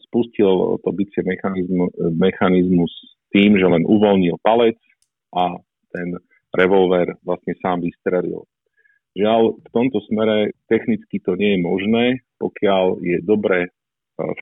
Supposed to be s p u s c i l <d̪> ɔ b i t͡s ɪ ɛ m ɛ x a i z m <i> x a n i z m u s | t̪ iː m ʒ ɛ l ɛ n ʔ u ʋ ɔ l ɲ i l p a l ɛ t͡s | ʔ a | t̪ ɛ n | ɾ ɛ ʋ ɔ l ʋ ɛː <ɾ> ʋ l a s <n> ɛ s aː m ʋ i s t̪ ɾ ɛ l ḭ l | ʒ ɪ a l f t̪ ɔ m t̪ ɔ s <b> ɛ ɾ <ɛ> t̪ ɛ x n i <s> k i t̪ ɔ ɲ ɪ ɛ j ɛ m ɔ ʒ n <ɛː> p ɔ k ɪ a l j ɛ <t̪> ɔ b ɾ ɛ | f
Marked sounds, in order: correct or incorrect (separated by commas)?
incorrect, incorrect, correct, incorrect, incorrect, correct, incorrect, correct, incorrect